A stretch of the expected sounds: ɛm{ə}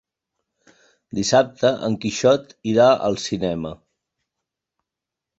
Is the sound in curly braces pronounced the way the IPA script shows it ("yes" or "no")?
yes